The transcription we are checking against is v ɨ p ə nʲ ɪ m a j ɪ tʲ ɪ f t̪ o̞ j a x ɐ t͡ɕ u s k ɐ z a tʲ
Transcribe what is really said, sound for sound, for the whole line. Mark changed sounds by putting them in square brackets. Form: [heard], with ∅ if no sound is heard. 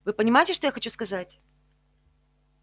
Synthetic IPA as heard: v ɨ p ə nʲ ɪ m a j ɪ tʲ ɪ [ʂ] t̪ o̞ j a x ɐ t͡ɕ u s k ɐ z a tʲ